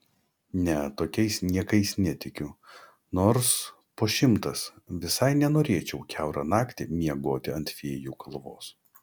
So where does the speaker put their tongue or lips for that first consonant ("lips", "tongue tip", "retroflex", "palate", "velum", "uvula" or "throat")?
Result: tongue tip